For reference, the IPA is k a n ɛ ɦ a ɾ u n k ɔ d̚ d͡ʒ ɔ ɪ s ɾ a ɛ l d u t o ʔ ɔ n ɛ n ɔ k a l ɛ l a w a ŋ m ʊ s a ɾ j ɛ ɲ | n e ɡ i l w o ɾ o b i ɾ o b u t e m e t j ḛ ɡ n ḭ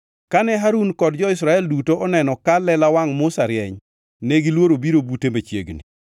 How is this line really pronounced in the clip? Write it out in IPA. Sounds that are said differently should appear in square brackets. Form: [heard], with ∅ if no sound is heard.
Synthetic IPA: k a n ɛ ɦ a ɾ u n k ɔ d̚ d͡ʒ ɔ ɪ s ɾ a ɛ l d u t o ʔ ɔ n ɛ n ɔ k a l ɛ l a w a ŋ m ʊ s a ɾ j ɛ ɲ | n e ɡ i l w o ɾ o b i ɾ o b u t e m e [t͡ʃ] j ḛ ɡ n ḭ